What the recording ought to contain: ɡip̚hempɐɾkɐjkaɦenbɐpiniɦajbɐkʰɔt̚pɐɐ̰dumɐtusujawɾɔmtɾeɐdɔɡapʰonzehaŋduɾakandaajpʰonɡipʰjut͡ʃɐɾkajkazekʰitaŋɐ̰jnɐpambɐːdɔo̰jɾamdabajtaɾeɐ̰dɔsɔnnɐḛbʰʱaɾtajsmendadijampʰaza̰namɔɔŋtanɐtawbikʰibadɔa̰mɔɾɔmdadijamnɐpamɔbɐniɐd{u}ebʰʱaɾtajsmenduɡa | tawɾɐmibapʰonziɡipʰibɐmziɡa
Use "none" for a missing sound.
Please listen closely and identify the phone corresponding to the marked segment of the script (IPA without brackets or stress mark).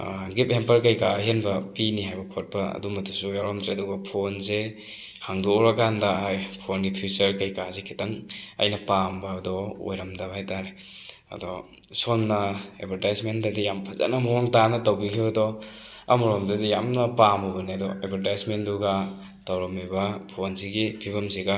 ɔ